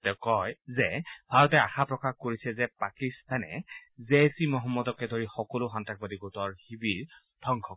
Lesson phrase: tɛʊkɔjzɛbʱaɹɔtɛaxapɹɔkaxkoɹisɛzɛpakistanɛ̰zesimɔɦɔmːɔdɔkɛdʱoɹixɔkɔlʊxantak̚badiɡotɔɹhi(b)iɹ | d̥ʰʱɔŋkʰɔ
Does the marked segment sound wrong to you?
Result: no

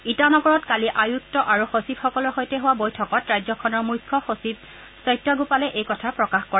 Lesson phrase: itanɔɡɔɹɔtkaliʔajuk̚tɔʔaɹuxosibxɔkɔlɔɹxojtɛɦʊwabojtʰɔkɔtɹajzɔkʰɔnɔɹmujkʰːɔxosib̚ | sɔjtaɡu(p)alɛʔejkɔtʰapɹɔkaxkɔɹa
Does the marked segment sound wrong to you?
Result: no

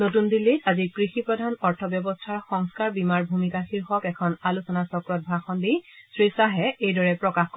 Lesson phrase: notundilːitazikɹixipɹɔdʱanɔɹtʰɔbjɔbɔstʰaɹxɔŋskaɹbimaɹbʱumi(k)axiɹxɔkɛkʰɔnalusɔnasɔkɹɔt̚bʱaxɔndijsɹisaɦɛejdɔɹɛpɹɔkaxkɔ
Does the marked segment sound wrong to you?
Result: no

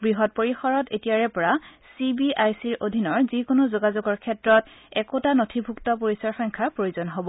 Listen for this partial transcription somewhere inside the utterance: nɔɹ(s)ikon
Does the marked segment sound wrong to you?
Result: yes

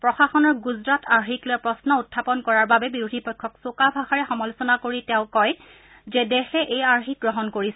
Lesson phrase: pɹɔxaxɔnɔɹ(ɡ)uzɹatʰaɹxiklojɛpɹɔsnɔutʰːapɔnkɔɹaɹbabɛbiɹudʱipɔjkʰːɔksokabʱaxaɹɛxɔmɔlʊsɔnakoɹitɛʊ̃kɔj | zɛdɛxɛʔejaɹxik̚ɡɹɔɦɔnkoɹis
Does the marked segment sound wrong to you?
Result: no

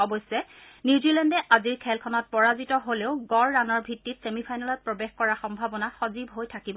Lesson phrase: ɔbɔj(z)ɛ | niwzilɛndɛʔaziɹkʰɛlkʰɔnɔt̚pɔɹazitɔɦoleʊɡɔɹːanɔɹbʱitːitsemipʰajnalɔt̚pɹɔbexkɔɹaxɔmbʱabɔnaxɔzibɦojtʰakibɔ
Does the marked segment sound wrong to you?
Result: yes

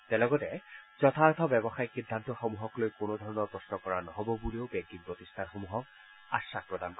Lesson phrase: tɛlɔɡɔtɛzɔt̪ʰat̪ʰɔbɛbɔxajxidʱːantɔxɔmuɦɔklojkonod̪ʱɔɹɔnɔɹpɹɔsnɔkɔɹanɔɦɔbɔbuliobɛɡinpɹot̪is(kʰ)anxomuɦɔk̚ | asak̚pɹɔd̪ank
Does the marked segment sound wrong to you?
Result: yes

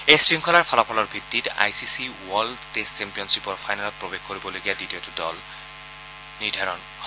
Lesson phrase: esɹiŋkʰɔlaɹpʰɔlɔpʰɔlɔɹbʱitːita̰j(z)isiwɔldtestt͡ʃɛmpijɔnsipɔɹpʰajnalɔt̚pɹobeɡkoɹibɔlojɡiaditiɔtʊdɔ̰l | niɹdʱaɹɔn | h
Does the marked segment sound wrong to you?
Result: yes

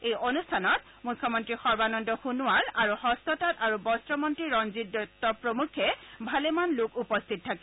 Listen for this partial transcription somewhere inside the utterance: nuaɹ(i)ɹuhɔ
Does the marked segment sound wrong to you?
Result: yes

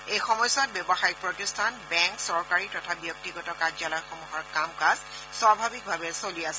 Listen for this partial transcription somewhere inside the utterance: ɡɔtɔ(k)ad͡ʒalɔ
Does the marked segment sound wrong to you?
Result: no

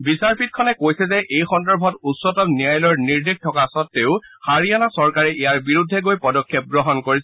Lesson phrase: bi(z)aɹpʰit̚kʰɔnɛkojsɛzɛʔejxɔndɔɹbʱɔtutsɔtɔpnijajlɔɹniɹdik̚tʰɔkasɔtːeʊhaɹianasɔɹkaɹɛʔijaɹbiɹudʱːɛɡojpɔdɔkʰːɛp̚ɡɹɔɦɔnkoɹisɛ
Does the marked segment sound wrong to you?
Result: yes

